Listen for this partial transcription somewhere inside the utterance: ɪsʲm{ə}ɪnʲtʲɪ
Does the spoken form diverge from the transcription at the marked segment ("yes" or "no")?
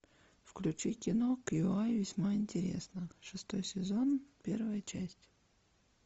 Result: yes